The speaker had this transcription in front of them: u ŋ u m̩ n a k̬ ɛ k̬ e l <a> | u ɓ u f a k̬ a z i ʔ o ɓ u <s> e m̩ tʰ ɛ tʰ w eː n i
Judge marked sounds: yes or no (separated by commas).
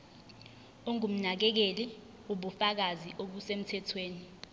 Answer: no, yes